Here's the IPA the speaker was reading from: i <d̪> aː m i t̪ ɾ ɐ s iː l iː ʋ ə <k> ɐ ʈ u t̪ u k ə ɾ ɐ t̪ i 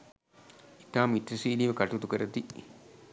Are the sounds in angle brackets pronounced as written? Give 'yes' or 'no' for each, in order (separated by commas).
no, yes